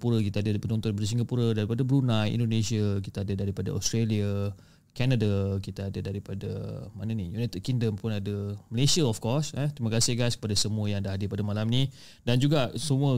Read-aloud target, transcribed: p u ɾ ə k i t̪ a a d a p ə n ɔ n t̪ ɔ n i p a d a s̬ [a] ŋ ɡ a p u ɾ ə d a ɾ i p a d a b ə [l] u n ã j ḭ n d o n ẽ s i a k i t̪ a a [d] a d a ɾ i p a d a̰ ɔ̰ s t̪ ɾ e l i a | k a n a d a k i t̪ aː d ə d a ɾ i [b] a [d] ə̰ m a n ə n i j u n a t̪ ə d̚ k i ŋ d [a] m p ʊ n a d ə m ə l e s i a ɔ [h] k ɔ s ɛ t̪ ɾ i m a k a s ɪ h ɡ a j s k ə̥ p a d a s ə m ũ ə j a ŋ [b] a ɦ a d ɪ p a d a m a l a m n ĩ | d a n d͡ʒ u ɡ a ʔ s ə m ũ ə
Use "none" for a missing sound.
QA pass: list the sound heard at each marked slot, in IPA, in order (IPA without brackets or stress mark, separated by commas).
i, ɾ, d, p, d, ə, f, d